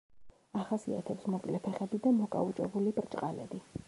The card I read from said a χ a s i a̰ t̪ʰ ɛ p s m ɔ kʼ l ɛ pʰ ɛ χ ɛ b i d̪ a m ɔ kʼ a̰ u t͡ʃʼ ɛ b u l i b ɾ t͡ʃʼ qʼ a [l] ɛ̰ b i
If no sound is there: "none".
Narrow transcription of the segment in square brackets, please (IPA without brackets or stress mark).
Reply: l